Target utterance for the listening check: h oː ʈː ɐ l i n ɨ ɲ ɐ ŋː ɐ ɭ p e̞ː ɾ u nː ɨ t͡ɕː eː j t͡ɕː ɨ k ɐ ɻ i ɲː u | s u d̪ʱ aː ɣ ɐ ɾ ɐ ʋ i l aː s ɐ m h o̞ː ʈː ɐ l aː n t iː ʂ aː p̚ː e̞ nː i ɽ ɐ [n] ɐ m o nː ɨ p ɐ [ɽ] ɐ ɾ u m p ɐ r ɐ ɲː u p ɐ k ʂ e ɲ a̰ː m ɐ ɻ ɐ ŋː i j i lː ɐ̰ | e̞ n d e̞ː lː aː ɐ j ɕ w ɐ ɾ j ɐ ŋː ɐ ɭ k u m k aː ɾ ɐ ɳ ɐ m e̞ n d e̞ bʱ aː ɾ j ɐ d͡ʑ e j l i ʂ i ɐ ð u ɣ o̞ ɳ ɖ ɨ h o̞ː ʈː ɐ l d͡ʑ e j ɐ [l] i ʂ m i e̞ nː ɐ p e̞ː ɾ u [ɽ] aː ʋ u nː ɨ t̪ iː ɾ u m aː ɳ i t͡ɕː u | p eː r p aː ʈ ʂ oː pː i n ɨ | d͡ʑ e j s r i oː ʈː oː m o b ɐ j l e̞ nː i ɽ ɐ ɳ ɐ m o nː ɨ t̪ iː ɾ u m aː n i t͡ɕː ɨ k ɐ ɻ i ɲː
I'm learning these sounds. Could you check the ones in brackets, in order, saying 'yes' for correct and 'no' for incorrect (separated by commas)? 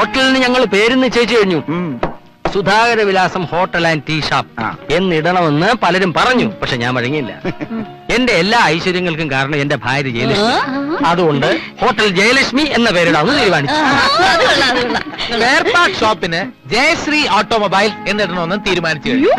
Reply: no, no, yes, yes